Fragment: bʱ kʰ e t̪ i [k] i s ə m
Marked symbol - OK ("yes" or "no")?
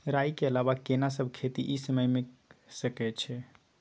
no